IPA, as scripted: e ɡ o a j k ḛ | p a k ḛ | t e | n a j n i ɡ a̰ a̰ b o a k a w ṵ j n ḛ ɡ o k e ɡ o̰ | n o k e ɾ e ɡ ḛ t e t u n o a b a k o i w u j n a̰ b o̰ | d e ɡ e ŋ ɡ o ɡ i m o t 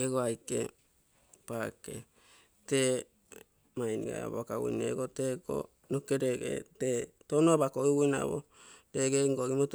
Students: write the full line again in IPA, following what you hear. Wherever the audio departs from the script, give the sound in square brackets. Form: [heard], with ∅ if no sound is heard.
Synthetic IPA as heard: e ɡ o a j k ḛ | p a k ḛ | t e | [m] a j n i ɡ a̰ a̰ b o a k a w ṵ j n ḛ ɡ o [t] e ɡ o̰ | n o k e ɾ e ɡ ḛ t e t [o] n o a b a k o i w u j n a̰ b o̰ | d e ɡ e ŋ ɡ o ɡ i m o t